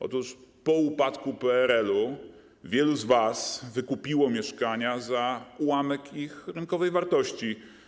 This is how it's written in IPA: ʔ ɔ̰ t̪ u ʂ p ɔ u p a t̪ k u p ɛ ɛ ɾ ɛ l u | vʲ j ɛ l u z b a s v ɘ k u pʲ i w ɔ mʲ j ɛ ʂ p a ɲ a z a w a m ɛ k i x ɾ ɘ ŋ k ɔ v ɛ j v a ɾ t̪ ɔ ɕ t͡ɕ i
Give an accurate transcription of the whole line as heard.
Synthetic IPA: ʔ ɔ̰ t̪ u ʂ p ɔ u p a t̪ k u p ɛ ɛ ɾ ɛ l u | vʲ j ɛ l u z v a s v ɘ k u pʲ i w ɔ mʲ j ɛ ʂ k a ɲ a z a w a m ɛ k i x ɾ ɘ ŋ k ɔ v ɛ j v a ɾ t̪ ɔ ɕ t͡ɕ i

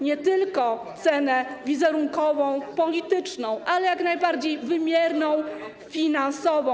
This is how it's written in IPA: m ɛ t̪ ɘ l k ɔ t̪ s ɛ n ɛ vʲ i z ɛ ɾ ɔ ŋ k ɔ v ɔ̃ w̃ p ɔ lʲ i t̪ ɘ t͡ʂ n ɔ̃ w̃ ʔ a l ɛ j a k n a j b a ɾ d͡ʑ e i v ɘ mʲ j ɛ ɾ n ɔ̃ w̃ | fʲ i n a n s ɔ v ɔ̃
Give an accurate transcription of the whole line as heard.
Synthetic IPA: ɲ ɛ t̪ ɘ l k ɔ t̪ s ɛ n ɛ vʲ i z ɛ ɾ u ŋ k ɔ v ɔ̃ w̃ p ɔ lʲ i t̪ ɘ t͡ʂ n ɔ̃ w̃ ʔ a l ɛ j a k n a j b a ɾ d͡ʑ e j v ɘ mʲ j ɛ ɾ n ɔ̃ w̃ | fʲ i n a n s ɔ v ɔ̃

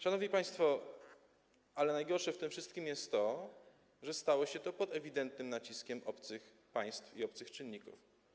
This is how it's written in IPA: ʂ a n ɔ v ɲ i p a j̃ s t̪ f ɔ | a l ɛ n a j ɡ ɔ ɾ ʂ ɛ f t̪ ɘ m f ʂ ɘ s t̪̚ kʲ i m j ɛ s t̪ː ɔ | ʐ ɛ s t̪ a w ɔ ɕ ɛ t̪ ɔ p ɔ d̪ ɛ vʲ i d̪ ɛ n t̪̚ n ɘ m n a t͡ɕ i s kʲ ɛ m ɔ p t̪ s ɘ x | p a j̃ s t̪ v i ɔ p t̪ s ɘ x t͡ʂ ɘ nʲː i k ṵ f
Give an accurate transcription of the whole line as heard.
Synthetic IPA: ʂ a n ɔ v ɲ i p a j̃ s t̪ f ɔ | a l ɛ n a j ɡ ɔ ɾ ʂ ɛ f t̪ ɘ m f ʂ ɘ s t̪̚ kʲ i m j ɛ s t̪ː ɔ | ʐ ɛ s t̪ a w ɔ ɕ ɛ t̪ ɔ p ɔ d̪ ɛ vʲ i d̪ ɛ n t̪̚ n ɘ m n a t͡ɕ i s kʲ ɛ m ɔ p t̪ s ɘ x | p a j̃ s t̪ f i ɔ p t̪ s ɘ x t͡ʂ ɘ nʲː i k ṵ f

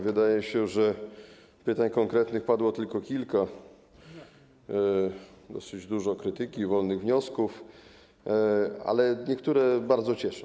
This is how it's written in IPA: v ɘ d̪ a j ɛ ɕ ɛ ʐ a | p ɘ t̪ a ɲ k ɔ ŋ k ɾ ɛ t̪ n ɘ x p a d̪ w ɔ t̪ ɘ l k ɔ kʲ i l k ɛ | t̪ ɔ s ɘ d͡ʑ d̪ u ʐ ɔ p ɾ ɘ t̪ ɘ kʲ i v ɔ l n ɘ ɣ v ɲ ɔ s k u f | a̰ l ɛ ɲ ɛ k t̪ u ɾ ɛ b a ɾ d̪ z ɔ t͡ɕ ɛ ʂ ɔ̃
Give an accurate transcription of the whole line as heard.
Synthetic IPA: v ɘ d̪ a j ɛ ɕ ɛ ʐ ɛ | p ɘ t̪ a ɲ k ɔ ŋ k ɾ ɛ t̪ n ɘ x p a d̪ w ɔ t̪ ɘ l k ɔ kʲ i l k a | d̪ ɔ s ɘ d͡ʑ d̪ u ʐ ɔ k ɾ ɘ t̪ ɘ kʲ i v ɔ l n ɘ ɣ v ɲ ɔ s k u f | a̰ l ɛ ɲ ɛ k t̪ u ɾ ɛ b a ɾ d̪ z ɔ t͡ɕ ɛ ʂ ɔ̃

